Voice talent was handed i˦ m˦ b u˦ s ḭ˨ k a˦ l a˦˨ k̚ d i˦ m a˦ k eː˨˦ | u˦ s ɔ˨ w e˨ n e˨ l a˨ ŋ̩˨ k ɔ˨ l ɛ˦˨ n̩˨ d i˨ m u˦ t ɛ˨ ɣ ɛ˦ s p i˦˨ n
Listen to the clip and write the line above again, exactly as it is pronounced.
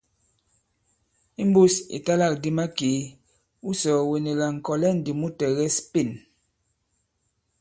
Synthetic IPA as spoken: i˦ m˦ b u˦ s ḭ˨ t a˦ l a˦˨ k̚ d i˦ m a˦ k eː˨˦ | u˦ s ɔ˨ w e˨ n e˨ l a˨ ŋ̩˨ k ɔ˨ l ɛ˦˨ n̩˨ d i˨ m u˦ t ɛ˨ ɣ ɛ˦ s p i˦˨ n

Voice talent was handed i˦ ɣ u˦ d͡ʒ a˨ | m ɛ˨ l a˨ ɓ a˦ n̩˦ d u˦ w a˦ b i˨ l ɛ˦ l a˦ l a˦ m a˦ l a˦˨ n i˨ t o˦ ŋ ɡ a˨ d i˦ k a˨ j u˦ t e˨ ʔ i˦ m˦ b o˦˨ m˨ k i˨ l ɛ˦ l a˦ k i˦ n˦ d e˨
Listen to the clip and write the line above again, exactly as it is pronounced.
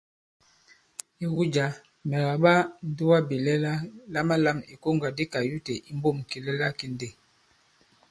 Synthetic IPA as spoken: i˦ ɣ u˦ d͡ʒ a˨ | m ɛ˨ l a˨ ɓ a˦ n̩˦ d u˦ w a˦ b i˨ l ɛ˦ l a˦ l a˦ m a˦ l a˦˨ m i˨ k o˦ ŋ ɡ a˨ d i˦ k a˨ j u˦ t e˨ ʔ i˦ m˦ b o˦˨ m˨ k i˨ l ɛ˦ l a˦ k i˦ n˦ d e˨

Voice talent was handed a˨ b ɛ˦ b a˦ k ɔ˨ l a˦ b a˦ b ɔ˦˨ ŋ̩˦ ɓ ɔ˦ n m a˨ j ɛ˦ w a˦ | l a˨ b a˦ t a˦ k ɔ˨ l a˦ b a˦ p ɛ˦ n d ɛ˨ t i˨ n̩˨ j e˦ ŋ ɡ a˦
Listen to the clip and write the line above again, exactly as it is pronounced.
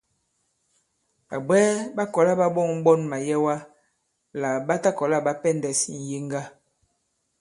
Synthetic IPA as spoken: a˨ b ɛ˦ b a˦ k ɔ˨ l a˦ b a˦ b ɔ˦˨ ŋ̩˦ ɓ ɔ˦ n m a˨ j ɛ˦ w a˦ | l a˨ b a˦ t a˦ k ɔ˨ l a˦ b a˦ p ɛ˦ n d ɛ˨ s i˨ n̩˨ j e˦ ŋ ɡ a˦

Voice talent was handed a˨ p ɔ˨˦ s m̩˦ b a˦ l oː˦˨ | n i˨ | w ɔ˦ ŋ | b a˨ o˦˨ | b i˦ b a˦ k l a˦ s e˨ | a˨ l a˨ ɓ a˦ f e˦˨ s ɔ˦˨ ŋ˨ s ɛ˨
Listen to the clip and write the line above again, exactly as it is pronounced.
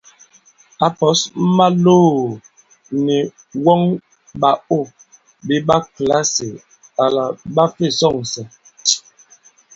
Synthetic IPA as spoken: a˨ p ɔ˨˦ s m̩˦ m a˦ l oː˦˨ | n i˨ | w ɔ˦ ŋ | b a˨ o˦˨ | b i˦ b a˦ k l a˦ s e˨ | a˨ l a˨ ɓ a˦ f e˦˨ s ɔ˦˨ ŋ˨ s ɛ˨

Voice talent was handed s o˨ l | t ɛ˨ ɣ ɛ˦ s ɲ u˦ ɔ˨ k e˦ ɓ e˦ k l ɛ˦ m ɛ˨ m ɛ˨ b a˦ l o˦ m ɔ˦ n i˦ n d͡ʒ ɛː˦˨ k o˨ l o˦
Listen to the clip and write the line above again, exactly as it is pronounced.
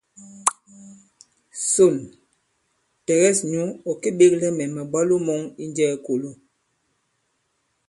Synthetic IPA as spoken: s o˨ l | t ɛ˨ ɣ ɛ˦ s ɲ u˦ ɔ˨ k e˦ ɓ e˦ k l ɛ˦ m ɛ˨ m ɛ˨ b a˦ l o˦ m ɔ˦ ŋ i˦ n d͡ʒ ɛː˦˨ k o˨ l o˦

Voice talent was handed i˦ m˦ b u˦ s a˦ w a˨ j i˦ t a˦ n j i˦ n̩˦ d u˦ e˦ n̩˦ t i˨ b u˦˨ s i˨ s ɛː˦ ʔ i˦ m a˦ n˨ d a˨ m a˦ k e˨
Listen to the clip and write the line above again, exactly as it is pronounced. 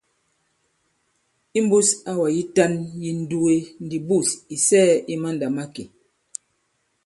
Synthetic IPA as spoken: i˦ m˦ b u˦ s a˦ w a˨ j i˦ t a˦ n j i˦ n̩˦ d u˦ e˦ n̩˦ d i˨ b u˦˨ s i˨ s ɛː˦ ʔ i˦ m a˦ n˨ d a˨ m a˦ k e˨

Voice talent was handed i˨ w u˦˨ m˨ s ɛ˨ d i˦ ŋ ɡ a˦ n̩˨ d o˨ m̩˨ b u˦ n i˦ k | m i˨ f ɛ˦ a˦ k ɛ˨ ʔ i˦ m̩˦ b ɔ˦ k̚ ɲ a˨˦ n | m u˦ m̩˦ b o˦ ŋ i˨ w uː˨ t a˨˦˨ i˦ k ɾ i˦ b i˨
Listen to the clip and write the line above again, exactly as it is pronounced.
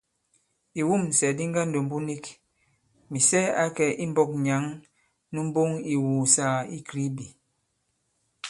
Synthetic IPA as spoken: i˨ w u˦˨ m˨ s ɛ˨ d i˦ ŋ ɡ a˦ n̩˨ d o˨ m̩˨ b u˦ n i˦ k | m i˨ s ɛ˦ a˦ k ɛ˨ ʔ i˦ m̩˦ b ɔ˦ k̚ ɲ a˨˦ ŋ | n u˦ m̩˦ b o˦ ŋ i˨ w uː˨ s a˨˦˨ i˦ k ɾ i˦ b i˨

